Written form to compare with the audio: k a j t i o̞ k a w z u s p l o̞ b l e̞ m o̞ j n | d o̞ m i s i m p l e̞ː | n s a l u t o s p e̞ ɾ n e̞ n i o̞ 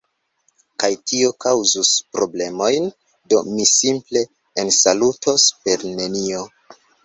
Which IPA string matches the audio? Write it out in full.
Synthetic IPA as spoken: k a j t i o̞ k a w z u s p ɾ o̞ b l e̞ m o̞ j n | d o̞ m i s i m p l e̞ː | n s a l u t o s p e̞ ɾ n e̞ n i o̞